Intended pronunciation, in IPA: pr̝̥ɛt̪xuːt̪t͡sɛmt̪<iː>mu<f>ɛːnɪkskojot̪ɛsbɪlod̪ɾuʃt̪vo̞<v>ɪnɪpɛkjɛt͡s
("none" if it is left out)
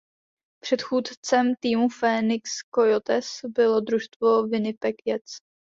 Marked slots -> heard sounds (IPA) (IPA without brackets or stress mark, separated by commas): iː, f, v